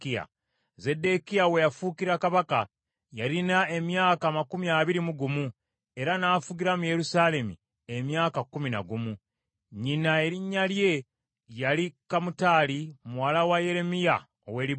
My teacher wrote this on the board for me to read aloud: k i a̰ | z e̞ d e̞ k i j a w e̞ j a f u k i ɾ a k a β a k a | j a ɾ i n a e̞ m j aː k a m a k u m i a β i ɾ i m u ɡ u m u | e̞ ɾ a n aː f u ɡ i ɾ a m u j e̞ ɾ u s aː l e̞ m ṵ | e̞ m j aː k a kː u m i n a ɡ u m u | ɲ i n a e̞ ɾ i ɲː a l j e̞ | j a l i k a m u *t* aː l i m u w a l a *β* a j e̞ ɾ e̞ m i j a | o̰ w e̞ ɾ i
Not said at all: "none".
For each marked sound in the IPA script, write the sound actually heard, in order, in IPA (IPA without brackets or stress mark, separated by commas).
t, w